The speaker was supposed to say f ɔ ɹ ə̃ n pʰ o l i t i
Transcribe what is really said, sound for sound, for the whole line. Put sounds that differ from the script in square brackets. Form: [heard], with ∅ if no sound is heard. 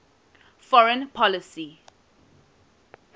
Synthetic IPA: f ɔ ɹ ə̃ n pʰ [ɔ] l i [s] i